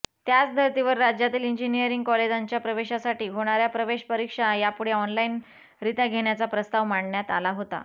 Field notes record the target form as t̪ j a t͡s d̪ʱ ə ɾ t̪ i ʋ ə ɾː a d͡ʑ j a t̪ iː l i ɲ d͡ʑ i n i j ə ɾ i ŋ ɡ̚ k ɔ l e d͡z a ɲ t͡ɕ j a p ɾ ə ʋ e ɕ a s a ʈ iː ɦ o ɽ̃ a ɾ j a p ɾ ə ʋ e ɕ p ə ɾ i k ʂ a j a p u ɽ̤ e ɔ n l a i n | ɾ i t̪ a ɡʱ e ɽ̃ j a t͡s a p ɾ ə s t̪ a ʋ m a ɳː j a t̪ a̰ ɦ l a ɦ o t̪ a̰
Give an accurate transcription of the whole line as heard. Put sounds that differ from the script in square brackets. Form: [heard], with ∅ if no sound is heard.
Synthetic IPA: t̪ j a t͡s d̪ʱ ə ɾ t̪ i ʋ ə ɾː a d͡ʑ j a t̪ iː l i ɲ d͡ʑ i n i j ə ɾ i ŋ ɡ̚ k ɔ l e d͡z a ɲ t͡ɕ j a p ɾ ə ʋ e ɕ a s a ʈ iː ɦ o ɽ̃ a ɾ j a p ɾ ə ʋ e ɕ p ə ɾ i k ʂ a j a p u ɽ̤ e ɔ n l a i n | ɾ i t̪ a ɡʱ e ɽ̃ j a t͡s a p ɾ ə s t̪ a ʋ m a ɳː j a t̪ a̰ [∅] l a ɦ o t̪ a̰